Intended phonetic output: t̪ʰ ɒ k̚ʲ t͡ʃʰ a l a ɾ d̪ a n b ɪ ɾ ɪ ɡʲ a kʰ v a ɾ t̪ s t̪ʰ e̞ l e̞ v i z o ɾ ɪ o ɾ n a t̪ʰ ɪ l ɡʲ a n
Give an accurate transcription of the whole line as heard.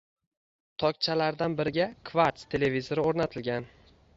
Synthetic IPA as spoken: t̪ʰ ɒ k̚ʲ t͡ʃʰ a l a ɾ d̪ a n b ɪ ɾ ɪ ɡʲ a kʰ v a ɾ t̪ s t̪ʰ e̞ l e̞ v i z o ɾ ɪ o ɾ n a t̪ʰ ɪ l ɡʲ a n